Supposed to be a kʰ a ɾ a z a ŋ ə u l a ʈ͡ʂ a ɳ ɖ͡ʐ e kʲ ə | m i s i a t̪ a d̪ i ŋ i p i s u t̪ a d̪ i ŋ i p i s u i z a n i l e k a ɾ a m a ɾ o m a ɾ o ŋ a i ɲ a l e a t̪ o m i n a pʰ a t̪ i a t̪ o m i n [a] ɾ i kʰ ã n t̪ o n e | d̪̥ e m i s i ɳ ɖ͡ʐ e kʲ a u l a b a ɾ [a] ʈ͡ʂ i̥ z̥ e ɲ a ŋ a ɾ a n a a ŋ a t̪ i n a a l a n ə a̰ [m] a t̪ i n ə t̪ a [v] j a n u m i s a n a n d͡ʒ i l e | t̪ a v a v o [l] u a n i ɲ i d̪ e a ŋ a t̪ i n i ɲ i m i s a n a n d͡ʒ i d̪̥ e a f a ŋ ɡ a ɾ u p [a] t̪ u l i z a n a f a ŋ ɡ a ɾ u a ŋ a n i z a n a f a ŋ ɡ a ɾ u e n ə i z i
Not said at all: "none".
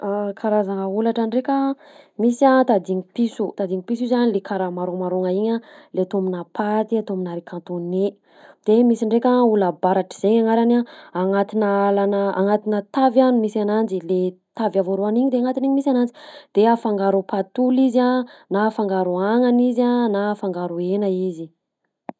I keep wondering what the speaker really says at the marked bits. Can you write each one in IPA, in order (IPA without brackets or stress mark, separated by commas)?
a, a, ŋ, v, ɾ, a